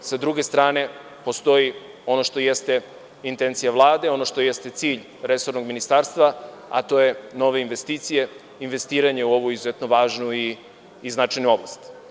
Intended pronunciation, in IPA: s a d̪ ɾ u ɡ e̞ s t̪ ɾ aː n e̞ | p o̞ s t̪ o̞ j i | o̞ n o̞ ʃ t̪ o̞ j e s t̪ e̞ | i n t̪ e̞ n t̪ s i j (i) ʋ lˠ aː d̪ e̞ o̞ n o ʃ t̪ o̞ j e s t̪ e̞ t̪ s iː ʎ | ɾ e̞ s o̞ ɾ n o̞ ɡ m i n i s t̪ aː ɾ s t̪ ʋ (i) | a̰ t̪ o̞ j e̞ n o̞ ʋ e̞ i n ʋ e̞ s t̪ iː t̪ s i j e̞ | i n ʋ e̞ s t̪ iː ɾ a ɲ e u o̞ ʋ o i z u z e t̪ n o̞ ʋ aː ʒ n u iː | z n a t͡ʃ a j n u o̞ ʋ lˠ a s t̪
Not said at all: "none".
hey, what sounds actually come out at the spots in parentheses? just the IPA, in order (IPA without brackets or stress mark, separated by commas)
a, a